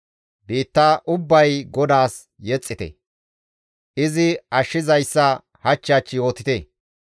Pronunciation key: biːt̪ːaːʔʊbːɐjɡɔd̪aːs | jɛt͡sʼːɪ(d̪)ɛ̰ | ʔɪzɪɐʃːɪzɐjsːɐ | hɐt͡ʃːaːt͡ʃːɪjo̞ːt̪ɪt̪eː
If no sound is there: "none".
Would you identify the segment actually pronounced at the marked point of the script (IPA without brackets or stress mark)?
t̪